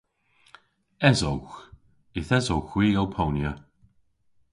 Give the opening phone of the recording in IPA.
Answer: ɛ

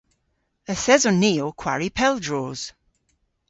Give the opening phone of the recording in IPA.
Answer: ə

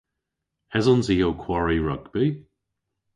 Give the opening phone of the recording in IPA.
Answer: h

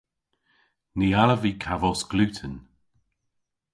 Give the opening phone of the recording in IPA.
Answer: n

